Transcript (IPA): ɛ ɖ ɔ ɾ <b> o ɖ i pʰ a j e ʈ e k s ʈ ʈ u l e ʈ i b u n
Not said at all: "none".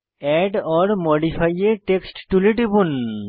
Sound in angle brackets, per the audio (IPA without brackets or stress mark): m